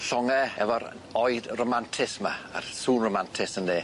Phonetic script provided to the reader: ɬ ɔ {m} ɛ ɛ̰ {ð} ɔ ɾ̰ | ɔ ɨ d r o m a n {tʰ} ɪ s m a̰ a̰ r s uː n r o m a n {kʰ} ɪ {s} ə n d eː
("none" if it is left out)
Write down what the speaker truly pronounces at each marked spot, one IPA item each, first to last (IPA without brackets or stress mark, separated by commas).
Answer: ŋ, v, tʰ, tʰ, s